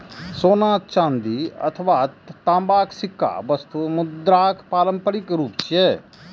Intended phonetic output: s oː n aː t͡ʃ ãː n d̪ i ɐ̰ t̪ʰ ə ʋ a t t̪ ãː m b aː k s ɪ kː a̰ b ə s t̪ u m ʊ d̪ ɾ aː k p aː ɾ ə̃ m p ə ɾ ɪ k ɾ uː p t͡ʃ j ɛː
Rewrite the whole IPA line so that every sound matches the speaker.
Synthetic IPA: s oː n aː t͡ʃ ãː n d̪ i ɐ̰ t̪ʰ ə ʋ a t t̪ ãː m b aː k s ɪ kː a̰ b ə s t̪ u m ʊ d̪ ɾ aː k p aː l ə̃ m p ə ɾ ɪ k ɾ uː p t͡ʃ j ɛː